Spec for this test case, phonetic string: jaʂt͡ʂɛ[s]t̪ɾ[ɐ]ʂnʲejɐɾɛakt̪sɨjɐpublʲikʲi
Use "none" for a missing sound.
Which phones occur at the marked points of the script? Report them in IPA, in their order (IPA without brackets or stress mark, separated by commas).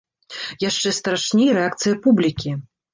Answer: s, a